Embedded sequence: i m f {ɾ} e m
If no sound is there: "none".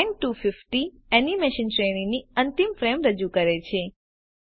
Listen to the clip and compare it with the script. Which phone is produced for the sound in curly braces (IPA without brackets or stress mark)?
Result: ɾ